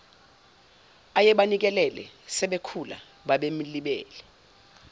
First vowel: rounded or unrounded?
unrounded